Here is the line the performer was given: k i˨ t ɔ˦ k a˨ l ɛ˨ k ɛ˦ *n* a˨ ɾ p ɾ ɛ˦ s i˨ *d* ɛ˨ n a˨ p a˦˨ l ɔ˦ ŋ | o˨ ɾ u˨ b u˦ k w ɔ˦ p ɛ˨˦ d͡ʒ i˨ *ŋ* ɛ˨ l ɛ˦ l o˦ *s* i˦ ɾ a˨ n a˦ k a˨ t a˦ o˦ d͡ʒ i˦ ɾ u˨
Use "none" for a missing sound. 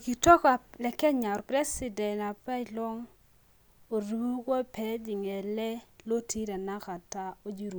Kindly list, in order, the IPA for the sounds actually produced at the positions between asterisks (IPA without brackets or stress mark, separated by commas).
ɲ, d, ŋ, t